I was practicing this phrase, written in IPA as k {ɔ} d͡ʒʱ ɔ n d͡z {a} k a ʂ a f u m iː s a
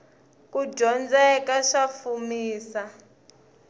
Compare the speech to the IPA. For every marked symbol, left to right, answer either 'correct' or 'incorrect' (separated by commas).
incorrect, incorrect